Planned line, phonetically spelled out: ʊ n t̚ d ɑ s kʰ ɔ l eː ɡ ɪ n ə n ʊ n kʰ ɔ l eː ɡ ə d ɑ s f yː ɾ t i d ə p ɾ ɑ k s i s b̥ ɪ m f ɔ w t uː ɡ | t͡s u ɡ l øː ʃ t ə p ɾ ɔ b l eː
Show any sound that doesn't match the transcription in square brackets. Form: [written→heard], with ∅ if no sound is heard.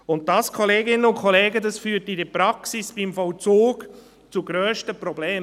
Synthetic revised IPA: ʊ n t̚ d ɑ s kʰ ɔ l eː ɡ ɪ n ə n ʊ n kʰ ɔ l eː ɡ ə d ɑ s f yː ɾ t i d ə p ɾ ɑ k s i s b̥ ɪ m f ɔ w [t→t͡s] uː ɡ | t͡s u ɡ [l→ɾ] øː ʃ t ə p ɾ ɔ b l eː